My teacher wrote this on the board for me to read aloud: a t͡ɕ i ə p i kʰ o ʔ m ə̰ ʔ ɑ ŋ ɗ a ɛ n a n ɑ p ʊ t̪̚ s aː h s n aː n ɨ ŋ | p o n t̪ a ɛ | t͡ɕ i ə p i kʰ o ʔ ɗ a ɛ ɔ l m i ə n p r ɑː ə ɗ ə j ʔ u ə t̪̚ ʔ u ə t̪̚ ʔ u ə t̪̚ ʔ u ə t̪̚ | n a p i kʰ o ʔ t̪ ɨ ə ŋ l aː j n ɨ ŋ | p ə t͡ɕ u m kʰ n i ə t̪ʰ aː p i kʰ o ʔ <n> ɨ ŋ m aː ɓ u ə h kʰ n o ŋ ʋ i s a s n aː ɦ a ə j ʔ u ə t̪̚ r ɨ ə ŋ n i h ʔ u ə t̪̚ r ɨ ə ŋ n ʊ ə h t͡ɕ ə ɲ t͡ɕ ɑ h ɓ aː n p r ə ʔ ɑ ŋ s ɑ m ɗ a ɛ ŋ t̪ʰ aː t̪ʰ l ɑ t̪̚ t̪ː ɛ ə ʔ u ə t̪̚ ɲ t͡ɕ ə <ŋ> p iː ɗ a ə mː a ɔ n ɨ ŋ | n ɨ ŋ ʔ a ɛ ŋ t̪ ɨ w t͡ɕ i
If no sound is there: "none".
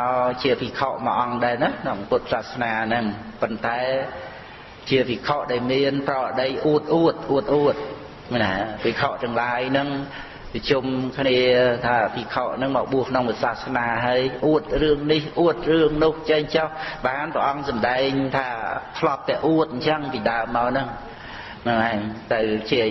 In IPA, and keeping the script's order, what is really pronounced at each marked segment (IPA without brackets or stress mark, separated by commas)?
n, ŋ